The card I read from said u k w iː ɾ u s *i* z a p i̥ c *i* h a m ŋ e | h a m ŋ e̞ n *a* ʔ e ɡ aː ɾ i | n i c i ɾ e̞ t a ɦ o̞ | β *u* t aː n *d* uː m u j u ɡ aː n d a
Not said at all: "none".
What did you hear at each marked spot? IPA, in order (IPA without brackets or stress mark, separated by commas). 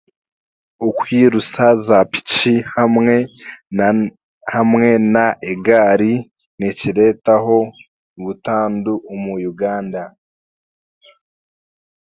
a, i, a, u, d